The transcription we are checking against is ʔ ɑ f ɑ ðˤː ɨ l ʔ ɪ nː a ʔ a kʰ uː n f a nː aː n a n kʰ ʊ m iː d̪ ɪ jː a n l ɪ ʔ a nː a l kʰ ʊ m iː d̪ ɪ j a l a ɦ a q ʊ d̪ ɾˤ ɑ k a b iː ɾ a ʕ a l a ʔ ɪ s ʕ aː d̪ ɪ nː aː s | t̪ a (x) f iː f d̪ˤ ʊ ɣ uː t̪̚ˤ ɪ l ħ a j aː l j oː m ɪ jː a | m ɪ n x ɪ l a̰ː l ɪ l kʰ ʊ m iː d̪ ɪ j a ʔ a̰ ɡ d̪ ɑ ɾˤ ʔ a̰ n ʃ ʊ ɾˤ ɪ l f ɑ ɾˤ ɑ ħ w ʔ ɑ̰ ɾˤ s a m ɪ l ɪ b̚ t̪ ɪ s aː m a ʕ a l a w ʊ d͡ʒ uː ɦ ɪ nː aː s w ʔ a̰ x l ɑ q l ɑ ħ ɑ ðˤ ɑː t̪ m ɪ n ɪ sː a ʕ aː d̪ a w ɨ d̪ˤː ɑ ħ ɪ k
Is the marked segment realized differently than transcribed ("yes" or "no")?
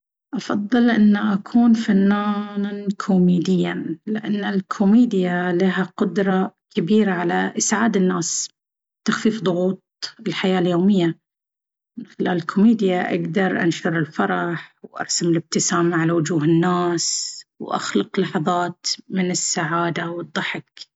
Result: no